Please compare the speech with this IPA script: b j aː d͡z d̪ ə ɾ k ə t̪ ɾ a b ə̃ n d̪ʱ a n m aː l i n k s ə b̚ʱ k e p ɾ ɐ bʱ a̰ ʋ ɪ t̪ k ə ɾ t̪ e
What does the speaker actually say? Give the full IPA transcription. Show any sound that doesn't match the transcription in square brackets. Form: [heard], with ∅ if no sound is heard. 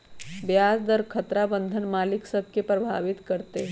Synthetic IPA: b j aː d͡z d̪ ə ɾ [kʰ] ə t̪ ɾ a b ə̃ n d̪ʱ [ə] n m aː l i [∅] k s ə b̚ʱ k e p ɾ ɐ bʱ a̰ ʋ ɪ t̪ k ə ɾ t̪ e